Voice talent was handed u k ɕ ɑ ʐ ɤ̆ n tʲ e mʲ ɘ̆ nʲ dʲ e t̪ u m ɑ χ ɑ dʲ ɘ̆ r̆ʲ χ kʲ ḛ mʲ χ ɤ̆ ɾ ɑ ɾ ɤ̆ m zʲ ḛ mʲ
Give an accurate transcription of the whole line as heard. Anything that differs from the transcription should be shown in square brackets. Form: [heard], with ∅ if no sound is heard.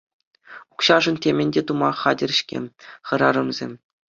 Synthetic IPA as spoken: u k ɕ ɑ ʐ ɤ̆ n tʲ e mʲ ɘ̆ nʲ dʲ e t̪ u m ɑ χ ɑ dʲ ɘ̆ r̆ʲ [ɕ] kʲ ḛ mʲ χ ɤ̆ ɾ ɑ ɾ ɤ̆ m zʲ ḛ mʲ